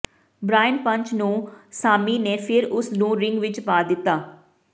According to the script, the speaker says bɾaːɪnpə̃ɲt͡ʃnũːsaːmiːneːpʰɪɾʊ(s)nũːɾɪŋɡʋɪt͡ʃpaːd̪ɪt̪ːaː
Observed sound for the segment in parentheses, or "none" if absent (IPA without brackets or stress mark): s